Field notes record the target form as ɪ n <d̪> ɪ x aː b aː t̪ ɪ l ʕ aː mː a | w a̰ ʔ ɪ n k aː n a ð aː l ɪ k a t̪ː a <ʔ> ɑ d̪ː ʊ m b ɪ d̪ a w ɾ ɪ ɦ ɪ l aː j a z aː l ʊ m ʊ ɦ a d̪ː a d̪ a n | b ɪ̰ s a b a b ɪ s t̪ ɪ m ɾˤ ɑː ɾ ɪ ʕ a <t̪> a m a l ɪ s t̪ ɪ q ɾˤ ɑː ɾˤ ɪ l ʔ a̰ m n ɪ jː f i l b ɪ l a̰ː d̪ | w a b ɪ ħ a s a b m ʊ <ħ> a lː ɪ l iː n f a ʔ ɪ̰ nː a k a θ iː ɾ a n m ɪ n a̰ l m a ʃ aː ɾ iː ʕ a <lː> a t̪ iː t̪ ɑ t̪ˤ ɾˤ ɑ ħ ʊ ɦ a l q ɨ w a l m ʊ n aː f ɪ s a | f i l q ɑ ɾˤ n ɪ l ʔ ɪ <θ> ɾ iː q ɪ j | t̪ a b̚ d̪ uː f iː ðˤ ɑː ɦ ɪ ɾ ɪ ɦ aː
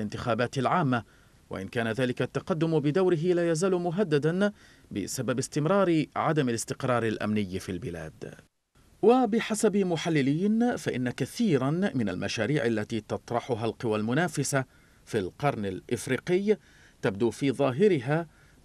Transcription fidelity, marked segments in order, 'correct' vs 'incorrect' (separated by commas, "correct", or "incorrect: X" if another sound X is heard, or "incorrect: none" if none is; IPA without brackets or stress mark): incorrect: t̪, incorrect: q, incorrect: d̪, correct, correct, incorrect: f